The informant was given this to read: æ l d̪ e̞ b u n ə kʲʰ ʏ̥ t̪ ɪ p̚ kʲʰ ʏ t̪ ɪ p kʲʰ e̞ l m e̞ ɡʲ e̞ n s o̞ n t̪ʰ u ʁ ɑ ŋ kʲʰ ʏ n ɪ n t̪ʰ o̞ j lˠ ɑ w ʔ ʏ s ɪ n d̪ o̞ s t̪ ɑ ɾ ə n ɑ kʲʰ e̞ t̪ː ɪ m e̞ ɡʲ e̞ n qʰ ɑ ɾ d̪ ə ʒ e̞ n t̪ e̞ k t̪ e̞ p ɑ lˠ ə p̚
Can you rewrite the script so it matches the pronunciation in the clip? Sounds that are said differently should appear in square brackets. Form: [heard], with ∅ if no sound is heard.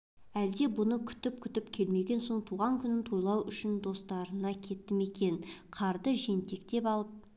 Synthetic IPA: æ l d̪ e̞ b [ʊ] n ə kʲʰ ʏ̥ t̪ ɪ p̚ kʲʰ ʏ t̪ ɪ p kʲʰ e̞ l m e̞ ɡʲ e̞ n s o̞ [ɴ] t̪ʰ u ʁ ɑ ŋ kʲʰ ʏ n ɪ n t̪ʰ o̞ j lˠ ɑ w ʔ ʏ [ʃ] ɪ n d̪ o̞ s t̪ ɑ ɾ ə n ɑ kʲʰ e̞ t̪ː ɪ m e̞ [kʲ] e̞ n qʰ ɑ ɾ d̪ ə ʒ e̞ n t̪ e̞ k t̪ e̞ p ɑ lˠ ə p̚

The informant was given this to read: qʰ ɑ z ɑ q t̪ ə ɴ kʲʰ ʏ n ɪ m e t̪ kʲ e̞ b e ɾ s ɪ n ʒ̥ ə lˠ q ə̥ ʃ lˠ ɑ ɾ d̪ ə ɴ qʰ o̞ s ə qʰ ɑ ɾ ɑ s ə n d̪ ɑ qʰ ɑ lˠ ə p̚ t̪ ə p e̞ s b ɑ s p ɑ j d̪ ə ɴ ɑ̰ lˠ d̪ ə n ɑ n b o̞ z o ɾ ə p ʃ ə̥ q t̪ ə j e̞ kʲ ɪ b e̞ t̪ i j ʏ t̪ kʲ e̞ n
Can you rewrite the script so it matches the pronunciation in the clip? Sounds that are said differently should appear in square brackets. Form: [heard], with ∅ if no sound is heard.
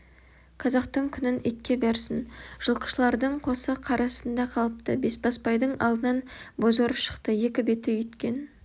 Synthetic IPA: qʰ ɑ z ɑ q t̪ ə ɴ kʲʰ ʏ n ɪ [n] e t̪ kʲ e̞ b e ɾ s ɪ n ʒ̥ ə lˠ q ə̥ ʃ lˠ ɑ ɾ d̪ ə ɴ qʰ o̞ s ə qʰ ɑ ɾ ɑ s ə n d̪ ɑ qʰ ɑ lˠ ə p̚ t̪ ə [b] e̞ s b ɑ s p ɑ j d̪ ə ɴ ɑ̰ lˠ d̪ ə n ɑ n b o̞ z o ɾ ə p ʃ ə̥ q t̪ ə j e̞ kʲ ɪ b e̞ t̪ [ɪ] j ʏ t̪ kʲ e̞ n

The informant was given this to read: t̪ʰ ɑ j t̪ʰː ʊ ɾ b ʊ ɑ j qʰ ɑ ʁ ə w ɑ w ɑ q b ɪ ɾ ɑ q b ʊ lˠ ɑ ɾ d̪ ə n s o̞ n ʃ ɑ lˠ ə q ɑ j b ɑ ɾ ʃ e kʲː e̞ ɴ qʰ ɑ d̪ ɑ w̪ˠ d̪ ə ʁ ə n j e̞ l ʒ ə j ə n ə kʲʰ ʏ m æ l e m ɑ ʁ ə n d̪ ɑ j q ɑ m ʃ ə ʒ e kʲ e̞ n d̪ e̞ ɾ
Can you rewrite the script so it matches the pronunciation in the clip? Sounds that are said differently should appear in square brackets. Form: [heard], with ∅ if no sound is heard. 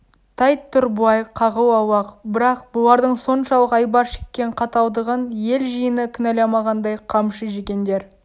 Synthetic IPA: t̪ʰ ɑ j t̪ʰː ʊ ɾ b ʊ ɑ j qʰ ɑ ʁ ə w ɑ w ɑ q b ɪ ɾ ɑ q b ʊ lˠ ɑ ɾ d̪ ə [ɴ] s o̞ n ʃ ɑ lˠ ə q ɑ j b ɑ ɾ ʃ e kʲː e̞ ɴ qʰ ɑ [t̪] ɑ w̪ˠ d̪ ə ʁ ə n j e̞ l ʒ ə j ə n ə kʲʰ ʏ [n] æ l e m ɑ ʁ [ɑ] n d̪ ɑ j [qʰ] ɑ m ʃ ə ʒ e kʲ e̞ n d̪ e̞ ɾ

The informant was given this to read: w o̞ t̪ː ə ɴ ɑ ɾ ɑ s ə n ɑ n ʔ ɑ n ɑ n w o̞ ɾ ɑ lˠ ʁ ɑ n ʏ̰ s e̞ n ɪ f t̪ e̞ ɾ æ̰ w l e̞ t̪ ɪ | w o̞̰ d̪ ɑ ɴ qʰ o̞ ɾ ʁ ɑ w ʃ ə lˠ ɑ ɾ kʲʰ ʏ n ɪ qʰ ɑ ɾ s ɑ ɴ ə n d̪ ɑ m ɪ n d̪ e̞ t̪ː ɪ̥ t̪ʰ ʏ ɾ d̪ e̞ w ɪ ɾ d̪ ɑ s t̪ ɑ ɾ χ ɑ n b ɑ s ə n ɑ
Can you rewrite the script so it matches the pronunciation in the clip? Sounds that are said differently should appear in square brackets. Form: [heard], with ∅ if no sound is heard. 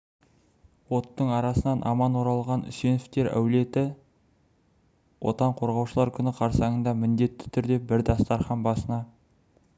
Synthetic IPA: w o̞ t̪ː ə ɴ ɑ ɾ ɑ s ə n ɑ n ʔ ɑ [m] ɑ n w o̞ ɾ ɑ lˠ ʁ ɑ n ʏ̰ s e̞ n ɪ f t̪ e̞ ɾ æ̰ w l e̞ t̪ ɪ | w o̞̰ [t̪] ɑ ɴ qʰ o̞ ɾ ʁ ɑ w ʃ ə lˠ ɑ ɾ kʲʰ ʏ n ɪ qʰ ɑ ɾ s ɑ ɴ ə n d̪ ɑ m ɪ n d̪ e̞ t̪ː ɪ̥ t̪ʰ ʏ ɾ d̪ e̞ [b] ɪ ɾ d̪ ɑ s t̪ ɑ ɾ χ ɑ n b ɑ s ə n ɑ

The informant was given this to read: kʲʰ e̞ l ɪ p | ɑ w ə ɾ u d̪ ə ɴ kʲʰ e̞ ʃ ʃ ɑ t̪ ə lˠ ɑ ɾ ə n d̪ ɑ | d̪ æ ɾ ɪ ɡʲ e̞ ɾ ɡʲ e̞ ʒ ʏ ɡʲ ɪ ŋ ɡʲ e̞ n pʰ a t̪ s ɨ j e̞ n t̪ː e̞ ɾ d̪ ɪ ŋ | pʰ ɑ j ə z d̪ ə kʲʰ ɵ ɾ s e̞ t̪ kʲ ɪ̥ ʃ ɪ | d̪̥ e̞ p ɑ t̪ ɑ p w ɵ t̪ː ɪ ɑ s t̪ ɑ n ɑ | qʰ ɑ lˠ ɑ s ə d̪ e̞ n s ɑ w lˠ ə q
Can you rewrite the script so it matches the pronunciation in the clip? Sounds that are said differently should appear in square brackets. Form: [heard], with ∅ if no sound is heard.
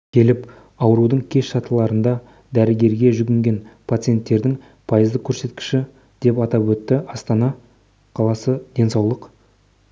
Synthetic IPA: kʲʰ e̞ l ɪ p | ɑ w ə ɾ u d̪ ə ɴ kʲʰ e̞ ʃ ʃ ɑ t̪ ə lˠ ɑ ɾ ə n d̪ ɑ | d̪ æ ɾ ɪ ɡʲ e̞ ɾ ɡʲ e̞ ʒ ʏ ɡʲ ɪ ŋ ɡʲ e̞ n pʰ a t̪ s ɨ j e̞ n t̪ː e̞ ɾ d̪ ɪ ŋ | pʰ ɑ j ə z d̪ ə kʲʰ ɵ ɾ s e̞ t̪ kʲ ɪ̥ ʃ ɪ | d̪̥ e̞ p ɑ t̪ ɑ p w ɵ t̪ː ɪ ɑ s t̪ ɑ n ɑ | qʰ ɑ lˠ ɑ s ə d̪ e̞ n s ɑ w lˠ ə q

